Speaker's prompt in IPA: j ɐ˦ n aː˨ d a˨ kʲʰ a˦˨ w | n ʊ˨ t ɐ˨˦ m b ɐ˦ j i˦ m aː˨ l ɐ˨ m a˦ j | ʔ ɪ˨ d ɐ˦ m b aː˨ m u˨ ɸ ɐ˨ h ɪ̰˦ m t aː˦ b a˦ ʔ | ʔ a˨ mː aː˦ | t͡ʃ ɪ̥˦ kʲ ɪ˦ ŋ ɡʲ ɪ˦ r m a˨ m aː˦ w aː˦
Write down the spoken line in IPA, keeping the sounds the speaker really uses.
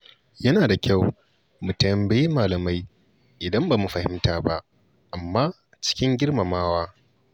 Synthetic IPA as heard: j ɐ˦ n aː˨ d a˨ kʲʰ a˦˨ w | m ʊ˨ t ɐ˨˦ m b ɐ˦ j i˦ m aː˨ l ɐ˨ m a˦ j | ʔ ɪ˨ d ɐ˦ m b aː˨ m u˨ ɸ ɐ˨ h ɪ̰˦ m t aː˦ b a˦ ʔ | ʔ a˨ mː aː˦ | t͡ʃ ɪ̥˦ kʲ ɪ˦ ŋ ɡʲ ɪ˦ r m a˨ m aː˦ w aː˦